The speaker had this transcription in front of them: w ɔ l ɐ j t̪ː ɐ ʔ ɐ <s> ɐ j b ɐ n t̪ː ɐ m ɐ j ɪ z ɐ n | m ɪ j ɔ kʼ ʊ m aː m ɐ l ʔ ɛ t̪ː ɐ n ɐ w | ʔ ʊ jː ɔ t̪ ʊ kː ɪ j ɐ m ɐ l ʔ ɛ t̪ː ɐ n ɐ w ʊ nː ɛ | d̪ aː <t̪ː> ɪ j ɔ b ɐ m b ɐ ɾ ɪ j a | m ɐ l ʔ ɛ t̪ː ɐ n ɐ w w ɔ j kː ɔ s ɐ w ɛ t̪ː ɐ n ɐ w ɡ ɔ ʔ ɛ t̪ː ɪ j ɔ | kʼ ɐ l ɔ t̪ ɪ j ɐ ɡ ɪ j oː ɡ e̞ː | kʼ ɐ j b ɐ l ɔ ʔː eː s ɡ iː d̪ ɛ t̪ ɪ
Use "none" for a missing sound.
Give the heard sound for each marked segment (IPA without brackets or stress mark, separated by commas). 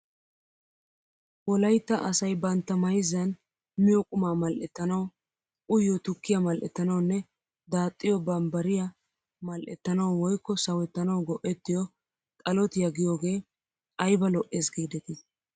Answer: s, t̪ʼː